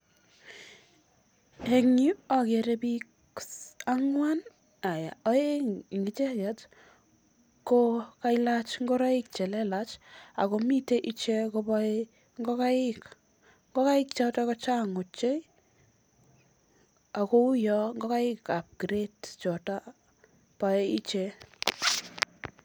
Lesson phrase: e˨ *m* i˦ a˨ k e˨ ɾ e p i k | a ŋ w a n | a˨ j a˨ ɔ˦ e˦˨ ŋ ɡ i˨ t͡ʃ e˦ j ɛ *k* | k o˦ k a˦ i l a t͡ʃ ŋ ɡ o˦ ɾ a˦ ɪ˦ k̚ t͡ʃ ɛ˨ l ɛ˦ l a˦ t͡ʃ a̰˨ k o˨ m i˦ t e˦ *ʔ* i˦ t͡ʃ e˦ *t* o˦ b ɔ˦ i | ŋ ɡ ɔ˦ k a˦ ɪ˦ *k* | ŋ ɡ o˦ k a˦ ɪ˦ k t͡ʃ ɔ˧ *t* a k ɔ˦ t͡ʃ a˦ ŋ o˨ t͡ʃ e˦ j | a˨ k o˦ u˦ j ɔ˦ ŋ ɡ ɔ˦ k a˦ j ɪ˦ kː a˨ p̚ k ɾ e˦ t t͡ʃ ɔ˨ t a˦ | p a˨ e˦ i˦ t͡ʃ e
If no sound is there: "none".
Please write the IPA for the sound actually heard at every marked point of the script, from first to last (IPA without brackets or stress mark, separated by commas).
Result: ŋ, t, ʔ, k, k, t